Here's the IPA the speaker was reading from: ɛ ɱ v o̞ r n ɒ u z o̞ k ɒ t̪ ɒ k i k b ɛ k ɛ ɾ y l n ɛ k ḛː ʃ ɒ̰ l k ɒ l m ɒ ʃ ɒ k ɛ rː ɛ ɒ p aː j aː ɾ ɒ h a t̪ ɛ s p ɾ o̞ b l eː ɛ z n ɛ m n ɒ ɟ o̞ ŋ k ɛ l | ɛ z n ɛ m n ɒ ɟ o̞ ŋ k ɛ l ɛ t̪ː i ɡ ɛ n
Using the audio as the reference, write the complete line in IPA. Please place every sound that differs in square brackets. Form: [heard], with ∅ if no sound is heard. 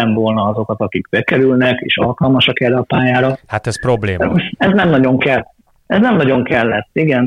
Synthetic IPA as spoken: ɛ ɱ v o̞ [l] n ɒ [ɒ] z o̞ k ɒ t̪ ɒ k i k b ɛ k ɛ ɾ y l n ɛ k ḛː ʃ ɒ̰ l k ɒ l m ɒ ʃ ɒ k ɛ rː ɛ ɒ p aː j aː ɾ ɒ h a t̪ ɛ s p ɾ o̞ b l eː ɛ z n ɛ m n ɒ ɟ o̞ ŋ k ɛ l | ɛ z n ɛ m n ɒ ɟ o̞ ŋ k ɛ [lː] ɛ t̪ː i ɡ ɛ n